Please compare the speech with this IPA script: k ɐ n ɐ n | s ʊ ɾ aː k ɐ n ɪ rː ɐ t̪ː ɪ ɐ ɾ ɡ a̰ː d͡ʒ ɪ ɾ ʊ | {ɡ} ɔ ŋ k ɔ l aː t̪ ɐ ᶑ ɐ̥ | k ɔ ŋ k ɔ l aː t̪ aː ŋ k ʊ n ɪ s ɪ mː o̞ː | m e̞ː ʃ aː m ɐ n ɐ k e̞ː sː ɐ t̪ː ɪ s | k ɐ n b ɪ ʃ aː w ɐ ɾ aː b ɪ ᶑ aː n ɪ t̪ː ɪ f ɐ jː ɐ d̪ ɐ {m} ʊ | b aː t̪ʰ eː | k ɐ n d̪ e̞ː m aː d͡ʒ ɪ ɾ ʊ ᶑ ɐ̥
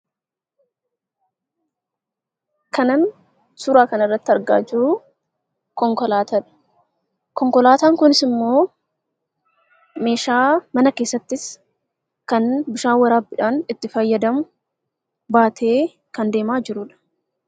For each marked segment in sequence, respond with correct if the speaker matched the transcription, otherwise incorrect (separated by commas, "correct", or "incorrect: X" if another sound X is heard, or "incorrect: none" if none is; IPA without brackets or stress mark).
incorrect: k, correct